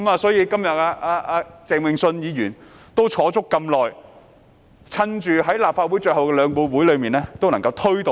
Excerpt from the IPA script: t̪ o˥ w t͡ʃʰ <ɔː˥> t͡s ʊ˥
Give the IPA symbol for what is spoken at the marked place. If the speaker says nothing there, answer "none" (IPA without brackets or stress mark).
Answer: ɔː˨˥